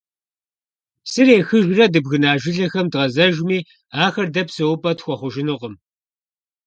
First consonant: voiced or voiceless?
voiceless